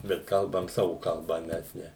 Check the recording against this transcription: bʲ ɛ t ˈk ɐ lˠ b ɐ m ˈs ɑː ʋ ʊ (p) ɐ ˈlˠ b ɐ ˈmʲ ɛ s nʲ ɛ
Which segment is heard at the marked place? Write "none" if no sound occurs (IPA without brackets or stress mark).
k